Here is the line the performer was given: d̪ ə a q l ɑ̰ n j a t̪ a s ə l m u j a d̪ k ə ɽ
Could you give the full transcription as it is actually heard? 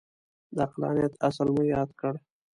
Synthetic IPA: d̪ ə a q l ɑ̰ n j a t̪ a s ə l m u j ɑ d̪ k ə ɽ